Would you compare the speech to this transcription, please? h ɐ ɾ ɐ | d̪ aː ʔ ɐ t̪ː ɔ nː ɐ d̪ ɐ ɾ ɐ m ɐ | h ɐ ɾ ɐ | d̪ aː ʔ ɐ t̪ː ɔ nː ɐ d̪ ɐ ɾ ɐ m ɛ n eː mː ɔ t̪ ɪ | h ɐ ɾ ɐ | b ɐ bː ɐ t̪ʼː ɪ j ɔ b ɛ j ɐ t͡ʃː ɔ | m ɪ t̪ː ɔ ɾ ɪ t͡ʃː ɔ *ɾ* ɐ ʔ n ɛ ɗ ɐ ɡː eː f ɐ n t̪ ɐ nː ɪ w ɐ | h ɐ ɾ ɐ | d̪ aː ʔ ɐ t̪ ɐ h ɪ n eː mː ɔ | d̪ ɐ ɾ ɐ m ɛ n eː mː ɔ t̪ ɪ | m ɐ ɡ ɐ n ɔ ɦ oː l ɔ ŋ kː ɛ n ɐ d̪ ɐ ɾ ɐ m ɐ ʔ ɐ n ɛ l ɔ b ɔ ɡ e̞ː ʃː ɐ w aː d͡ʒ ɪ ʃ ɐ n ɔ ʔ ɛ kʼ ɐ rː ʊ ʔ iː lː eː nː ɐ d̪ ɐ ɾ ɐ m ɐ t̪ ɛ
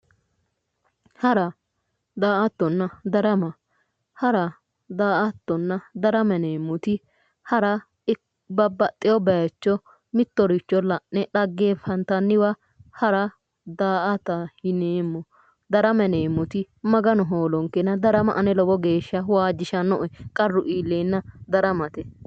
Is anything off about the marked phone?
yes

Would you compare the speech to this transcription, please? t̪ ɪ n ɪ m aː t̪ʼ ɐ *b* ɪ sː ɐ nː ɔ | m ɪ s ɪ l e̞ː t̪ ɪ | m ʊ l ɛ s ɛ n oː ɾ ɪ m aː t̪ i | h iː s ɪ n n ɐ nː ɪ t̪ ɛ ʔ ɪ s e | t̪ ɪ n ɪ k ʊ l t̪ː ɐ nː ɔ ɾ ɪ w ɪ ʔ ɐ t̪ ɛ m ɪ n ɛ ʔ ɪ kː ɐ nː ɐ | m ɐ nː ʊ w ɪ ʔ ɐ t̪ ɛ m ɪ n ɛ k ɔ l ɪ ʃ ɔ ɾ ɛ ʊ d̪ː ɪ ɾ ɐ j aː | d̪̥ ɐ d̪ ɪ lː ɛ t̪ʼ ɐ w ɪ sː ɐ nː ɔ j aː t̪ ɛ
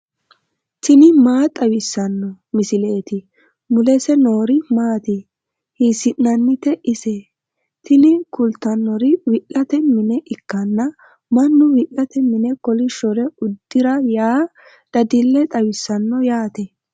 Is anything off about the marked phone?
yes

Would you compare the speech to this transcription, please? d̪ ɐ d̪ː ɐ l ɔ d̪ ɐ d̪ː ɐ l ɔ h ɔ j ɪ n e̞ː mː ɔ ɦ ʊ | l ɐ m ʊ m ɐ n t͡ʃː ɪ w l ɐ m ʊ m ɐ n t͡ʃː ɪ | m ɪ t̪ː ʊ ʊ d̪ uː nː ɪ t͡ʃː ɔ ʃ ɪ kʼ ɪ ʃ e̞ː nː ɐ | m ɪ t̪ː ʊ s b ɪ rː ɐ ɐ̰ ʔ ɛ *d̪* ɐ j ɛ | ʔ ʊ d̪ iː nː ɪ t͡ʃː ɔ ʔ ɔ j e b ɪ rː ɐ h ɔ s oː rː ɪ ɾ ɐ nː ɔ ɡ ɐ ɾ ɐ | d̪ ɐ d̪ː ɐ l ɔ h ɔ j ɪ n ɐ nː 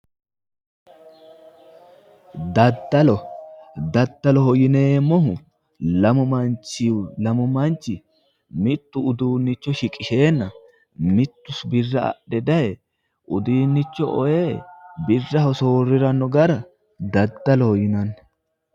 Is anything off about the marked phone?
no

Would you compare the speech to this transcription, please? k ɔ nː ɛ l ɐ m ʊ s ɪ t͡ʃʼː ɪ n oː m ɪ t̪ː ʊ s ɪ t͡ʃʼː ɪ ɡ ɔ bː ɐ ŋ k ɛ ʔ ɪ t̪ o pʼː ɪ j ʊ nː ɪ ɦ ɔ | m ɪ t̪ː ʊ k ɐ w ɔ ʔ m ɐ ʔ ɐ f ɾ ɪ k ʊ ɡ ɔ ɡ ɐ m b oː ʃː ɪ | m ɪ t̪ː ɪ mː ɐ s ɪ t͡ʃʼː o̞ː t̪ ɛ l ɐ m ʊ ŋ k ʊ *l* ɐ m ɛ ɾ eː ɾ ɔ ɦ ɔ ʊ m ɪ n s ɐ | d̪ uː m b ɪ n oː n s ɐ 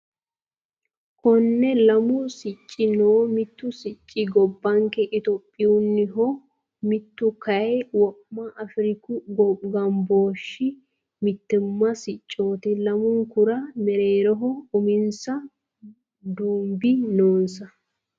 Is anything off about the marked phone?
yes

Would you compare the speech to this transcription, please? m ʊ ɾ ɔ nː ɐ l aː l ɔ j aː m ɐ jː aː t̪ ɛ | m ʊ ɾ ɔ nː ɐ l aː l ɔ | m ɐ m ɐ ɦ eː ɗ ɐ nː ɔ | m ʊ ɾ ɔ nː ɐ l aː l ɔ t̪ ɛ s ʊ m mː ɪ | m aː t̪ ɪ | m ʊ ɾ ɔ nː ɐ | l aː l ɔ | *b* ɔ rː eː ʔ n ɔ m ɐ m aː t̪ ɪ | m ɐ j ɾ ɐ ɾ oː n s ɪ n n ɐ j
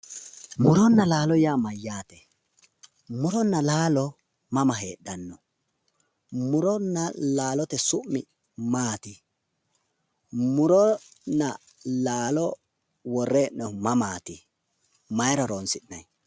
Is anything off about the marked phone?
yes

